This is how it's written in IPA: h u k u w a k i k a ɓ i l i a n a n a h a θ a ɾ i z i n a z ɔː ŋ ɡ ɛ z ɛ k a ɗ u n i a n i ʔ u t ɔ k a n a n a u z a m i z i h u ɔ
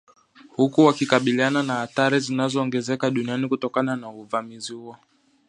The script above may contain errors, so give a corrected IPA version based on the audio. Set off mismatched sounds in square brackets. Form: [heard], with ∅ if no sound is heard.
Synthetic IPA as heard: h u k u w a k i k a ɓ i l i a n a n a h a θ a ɾ i z i n a z ɔː ŋ ɡ ɛ z ɛ k a ɗ u n i a n i [k] u t ɔ k a n a n a u [v] a m i z i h u ɔ

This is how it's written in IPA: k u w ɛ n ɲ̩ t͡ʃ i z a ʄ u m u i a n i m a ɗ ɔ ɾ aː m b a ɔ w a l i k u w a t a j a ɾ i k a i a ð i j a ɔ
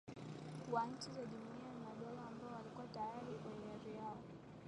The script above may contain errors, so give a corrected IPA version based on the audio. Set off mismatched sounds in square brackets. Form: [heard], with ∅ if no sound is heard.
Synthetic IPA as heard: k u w [a] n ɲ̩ t͡ʃ i z a ʄ u m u i a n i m a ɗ ɔ [l] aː m b a ɔ w a l i k u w a t a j a ɾ i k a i a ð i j a ɔ

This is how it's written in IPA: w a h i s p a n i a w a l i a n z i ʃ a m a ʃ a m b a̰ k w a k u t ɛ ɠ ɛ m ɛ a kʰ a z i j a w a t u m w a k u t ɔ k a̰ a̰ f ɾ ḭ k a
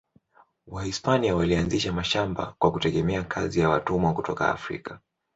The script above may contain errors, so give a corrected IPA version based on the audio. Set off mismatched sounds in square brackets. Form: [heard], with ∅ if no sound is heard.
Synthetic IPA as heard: w a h i s p a n i a w a l i a n z i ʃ a m a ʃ a m b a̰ k w a k u t ɛ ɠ ɛ m ɛ a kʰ a z i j a w a t u m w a k u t ɔ k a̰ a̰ f ɾ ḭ k a

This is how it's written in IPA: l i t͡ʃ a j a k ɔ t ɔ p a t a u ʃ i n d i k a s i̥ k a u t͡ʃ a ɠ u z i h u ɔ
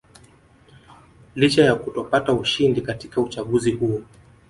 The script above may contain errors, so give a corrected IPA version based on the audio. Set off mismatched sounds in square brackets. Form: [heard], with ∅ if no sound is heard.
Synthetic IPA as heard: l i t͡ʃ a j a k [u] t ɔ p a t a u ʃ i n d i k a [t] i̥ k a u t͡ʃ a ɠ u z i h u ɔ

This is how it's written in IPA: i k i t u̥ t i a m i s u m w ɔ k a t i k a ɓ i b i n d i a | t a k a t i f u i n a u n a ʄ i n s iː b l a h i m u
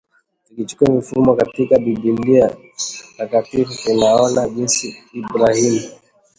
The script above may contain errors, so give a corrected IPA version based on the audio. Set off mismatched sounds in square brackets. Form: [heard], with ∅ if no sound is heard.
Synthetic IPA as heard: i k i [t͡ʃ] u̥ [k] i a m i [f] u m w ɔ k a t i k a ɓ i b i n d i a | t a k a t i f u i n a [ɔ] n a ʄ i n s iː b [ɾ] a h i m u

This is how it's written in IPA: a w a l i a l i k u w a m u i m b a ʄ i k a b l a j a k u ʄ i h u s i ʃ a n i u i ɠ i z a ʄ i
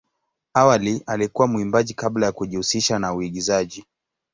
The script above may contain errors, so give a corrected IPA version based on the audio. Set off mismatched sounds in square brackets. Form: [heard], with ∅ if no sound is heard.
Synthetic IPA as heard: a w a l i a l i k u w a m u i m b a ʄ i k a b l a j a k u ʄ i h u s i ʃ a n [a] u i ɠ i z a ʄ i

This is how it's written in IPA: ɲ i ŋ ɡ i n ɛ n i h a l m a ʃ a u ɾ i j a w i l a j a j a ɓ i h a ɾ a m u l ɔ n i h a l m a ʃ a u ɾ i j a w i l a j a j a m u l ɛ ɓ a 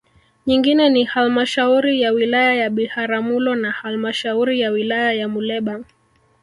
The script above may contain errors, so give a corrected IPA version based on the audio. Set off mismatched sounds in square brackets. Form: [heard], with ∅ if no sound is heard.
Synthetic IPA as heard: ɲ i ŋ ɡ i n ɛ n i h a l m a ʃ a u ɾ i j a w i l a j a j a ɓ i h a ɾ a m u l ɔ n [a] h a l m a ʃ a u ɾ i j a w i l a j a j a m u l ɛ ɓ a

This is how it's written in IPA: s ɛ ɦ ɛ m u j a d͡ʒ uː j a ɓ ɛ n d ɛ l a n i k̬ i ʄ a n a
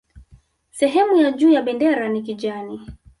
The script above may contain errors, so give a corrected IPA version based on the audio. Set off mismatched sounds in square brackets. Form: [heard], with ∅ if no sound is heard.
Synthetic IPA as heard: s ɛ ɦ ɛ m u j a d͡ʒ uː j a ɓ ɛ n d ɛ [ɾ] a n i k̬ i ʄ a n [i]

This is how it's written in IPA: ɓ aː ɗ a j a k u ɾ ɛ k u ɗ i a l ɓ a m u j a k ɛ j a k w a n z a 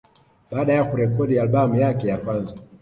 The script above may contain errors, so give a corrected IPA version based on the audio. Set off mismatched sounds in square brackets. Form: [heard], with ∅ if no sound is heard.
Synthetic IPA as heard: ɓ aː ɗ a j a k u ɾ ɛ k [ɔ] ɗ i a l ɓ a m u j a k ɛ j a k w a n z a

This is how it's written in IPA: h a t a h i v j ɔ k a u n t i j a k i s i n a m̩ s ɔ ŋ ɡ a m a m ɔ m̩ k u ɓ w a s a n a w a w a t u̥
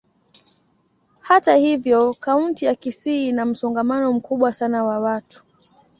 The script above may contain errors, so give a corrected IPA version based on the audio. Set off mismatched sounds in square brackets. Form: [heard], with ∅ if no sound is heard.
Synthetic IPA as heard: h a t a h i v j ɔ k a u n t i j a k i s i n a m̩ s ɔ ŋ ɡ a m a [n] ɔ m̩ k u ɓ w a s a n a w a w a t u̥

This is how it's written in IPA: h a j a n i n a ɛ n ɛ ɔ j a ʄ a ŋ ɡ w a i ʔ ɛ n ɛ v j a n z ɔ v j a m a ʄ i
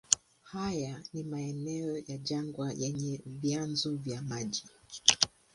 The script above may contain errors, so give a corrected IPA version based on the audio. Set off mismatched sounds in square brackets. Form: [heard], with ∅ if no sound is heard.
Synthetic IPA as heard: h a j a n i [m] a ɛ n ɛ ɔ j a ʄ a ŋ ɡ w a [j] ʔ ɛ [ɲ] ɛ v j a n z ɔ v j a m a ʄ i

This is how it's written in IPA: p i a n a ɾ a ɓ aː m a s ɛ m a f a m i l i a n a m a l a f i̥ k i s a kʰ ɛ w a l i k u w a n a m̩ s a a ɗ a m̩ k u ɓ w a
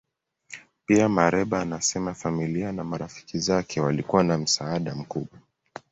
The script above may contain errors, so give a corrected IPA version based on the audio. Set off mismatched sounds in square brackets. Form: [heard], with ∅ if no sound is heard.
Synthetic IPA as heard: p i a [m] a ɾ [ɛ] ɓ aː [n] a s ɛ m a f a m i l i a n a m a [ɾ] a f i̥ k i [z] a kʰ ɛ w a l i k u w a n a m̩ s a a ɗ a m̩ k u ɓ w a

